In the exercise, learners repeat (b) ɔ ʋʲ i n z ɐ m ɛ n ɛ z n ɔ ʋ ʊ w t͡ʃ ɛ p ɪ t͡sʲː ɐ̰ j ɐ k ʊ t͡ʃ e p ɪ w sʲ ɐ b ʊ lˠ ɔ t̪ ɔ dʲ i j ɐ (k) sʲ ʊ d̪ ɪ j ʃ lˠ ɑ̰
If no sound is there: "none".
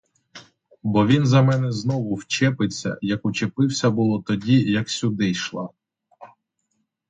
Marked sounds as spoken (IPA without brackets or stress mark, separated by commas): b, k